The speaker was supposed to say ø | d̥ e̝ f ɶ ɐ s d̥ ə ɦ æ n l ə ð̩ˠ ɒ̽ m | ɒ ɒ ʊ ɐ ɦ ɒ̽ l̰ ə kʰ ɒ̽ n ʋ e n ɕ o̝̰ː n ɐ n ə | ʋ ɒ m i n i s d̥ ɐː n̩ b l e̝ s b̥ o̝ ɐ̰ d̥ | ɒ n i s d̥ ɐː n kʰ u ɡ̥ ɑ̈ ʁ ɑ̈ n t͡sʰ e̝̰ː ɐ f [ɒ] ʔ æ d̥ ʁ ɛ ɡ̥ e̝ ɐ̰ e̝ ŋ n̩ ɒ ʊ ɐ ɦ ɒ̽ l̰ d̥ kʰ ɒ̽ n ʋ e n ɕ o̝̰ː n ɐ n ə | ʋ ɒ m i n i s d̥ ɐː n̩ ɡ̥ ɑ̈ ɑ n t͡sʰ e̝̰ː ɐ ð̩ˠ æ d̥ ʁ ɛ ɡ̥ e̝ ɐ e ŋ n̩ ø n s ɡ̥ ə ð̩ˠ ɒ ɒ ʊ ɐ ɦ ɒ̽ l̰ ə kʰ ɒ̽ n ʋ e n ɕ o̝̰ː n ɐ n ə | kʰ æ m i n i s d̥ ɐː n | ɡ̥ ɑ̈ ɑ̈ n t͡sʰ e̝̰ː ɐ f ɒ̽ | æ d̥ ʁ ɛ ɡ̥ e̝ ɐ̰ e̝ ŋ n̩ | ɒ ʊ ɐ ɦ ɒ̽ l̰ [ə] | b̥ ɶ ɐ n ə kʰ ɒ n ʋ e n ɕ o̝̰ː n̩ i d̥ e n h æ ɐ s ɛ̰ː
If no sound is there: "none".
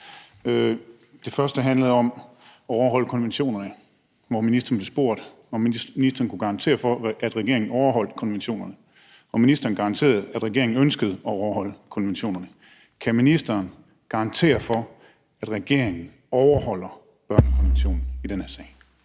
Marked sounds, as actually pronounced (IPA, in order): ɒ, ɐ

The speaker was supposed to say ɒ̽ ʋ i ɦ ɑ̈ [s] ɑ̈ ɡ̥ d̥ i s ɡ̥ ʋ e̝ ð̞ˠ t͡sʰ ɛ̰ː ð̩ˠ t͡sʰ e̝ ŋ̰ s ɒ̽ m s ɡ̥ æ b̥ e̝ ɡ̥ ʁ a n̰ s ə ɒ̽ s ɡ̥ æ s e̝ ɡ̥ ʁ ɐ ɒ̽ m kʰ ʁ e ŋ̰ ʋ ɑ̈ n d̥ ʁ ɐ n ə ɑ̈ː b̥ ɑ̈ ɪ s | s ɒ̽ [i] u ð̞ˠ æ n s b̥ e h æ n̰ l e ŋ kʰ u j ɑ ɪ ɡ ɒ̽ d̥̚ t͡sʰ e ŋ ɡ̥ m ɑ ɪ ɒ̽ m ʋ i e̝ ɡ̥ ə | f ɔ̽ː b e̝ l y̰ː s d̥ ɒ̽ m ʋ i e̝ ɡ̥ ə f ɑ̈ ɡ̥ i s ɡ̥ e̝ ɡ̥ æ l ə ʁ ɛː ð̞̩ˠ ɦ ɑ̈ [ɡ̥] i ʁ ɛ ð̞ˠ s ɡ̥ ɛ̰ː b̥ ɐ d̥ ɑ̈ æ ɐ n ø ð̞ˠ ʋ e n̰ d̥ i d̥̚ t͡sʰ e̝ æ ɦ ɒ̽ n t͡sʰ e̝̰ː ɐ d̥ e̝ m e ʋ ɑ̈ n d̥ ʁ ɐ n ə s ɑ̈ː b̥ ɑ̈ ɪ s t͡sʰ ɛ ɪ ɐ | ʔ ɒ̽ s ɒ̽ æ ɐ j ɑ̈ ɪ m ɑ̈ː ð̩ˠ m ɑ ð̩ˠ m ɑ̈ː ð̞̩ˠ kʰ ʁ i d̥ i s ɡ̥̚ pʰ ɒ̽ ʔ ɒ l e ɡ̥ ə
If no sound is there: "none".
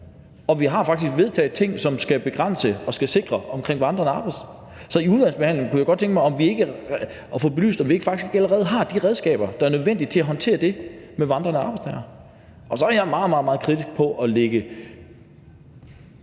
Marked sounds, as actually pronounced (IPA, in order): f, i, d̥

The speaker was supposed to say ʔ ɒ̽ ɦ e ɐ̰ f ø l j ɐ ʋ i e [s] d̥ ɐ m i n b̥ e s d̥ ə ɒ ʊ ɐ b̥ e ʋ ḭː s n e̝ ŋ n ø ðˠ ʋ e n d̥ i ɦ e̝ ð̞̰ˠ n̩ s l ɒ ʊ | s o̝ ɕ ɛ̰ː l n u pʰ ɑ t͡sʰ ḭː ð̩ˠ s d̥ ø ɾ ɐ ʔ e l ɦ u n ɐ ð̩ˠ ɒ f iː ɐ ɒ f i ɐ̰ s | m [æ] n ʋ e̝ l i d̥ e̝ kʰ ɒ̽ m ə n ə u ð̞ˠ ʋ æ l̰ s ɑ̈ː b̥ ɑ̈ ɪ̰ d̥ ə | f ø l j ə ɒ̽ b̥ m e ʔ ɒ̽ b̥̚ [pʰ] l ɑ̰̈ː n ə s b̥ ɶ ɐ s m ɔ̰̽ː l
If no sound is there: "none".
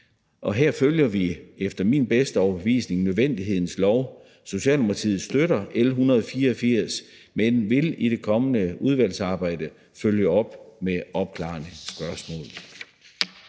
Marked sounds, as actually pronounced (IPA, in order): f, e, kʰ

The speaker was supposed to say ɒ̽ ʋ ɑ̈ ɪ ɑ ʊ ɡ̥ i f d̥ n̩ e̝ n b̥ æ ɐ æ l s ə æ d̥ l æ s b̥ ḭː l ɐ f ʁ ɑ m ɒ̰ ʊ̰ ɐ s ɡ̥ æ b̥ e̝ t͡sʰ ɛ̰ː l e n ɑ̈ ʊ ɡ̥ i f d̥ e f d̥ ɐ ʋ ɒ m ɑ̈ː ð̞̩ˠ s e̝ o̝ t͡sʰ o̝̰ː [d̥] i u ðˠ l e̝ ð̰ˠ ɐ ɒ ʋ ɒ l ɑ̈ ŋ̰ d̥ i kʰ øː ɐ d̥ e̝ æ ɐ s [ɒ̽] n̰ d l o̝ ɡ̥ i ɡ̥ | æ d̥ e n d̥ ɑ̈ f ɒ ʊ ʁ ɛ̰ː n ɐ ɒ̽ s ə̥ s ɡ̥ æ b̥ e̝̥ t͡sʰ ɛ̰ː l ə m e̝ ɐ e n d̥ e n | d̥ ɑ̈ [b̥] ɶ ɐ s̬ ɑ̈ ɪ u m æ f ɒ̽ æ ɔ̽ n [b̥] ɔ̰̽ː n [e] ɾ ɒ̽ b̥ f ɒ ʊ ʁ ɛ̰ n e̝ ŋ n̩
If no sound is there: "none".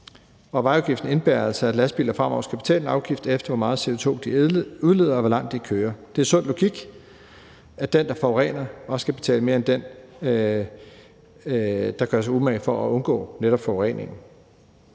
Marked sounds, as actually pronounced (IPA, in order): d̥, ɔ̽, ɡ̥, ɡ̥, e

